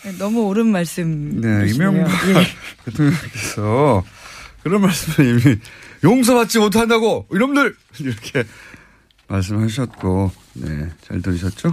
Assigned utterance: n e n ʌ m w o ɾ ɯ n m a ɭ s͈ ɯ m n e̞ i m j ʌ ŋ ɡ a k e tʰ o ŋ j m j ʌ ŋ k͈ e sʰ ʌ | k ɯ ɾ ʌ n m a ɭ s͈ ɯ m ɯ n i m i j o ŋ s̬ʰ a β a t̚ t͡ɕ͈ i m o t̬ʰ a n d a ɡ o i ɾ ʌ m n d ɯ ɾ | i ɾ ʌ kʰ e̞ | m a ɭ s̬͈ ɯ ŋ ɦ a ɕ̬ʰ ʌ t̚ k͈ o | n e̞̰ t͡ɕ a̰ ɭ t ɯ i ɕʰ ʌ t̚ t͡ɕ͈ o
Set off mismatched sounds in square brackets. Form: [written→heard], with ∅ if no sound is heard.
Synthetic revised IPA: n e n ʌ m [w→u] o ɾ ɯ n m a ɭ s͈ ɯ m n e̞ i m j ʌ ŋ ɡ a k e tʰ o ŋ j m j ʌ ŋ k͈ e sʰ ʌ | k ɯ ɾ ʌ n m a ɭ s͈ ɯ m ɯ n i m i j o ŋ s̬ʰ [a→ʌ] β a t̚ t͡ɕ͈ i m o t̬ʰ a n d a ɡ o i ɾ ʌ m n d ɯ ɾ | i ɾ ʌ kʰ e̞ | m a ɭ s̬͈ ɯ [ŋ→m] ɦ a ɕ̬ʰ ʌ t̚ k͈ o | n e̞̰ t͡ɕ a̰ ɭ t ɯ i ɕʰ ʌ t̚ t͡ɕ͈ o